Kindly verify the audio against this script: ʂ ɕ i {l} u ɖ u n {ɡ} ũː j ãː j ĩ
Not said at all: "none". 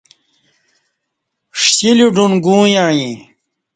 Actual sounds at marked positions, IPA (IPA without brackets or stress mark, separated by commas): l, ɡ